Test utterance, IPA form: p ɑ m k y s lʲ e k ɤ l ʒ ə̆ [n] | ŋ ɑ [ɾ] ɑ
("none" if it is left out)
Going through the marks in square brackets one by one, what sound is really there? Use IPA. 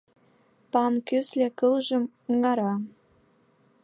m, ɾ

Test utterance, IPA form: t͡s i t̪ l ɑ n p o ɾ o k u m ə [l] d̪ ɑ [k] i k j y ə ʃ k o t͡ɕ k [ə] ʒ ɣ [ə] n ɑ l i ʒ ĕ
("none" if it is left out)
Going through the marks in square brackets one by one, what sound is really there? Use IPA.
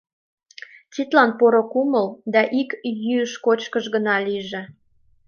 l, ʔ, ə, ə

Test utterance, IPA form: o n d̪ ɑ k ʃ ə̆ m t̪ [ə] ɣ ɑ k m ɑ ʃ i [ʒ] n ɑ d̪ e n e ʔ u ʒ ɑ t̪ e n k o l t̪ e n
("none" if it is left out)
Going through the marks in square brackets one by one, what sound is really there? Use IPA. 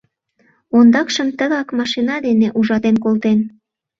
ə, none

